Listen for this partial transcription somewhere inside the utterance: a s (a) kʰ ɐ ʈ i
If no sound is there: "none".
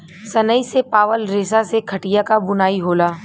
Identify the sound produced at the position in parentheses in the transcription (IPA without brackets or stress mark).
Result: e